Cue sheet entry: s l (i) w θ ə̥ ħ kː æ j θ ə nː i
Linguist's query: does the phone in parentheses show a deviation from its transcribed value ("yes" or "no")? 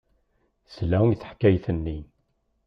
yes